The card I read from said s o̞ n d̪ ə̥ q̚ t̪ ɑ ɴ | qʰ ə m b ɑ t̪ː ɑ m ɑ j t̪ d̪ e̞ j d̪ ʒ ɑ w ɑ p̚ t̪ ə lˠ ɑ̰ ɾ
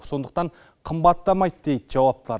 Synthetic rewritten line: s o̞ n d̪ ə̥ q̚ t̪ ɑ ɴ | qʰ ə m b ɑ t̪ː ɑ m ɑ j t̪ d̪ e̞ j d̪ ʒ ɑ w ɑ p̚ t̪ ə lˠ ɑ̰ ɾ